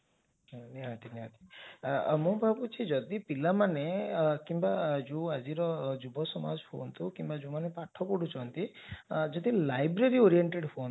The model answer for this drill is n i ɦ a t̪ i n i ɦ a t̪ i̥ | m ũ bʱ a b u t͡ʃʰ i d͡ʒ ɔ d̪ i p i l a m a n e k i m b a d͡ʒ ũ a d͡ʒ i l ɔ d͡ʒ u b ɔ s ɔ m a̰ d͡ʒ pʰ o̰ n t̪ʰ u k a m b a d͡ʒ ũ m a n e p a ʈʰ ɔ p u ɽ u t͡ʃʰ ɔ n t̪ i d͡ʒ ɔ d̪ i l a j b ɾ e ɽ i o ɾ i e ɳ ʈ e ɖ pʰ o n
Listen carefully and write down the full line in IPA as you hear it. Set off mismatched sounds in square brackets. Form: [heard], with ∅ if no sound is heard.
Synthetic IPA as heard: n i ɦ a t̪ i n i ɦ a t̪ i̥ | m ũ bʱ a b u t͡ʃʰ i d͡ʒ ɔ d̪ i p i l a m a n e k i m b a d͡ʒ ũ a d͡ʒ i [ɾ] ɔ d͡ʒ u b ɔ s ɔ m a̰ d͡ʒ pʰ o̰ n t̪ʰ u k [i] m b a d͡ʒ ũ m a n e p a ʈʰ ɔ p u ɽ u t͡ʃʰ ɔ n t̪ i d͡ʒ ɔ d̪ i l a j b ɾ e [ɾ] i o ɾ i e ɳ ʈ e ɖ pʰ o n